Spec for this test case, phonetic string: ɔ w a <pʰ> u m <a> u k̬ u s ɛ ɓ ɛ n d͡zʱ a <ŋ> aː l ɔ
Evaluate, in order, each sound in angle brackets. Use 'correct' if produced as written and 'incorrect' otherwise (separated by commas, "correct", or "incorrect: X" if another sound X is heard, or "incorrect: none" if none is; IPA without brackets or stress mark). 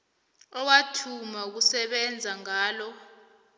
incorrect: tʰ, correct, correct